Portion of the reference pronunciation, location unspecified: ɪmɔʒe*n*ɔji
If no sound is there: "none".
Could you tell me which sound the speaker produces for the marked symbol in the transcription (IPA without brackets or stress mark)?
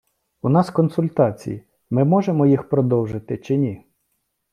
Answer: m